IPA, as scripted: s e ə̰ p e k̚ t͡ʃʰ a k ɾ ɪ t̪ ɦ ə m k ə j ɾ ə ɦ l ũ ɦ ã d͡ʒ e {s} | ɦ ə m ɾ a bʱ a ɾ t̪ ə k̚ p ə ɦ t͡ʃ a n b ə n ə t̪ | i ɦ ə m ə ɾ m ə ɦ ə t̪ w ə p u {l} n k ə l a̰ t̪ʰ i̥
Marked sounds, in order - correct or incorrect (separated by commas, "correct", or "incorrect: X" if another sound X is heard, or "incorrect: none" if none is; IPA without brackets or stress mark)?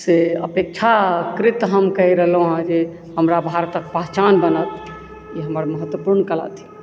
incorrect: none, incorrect: ɾ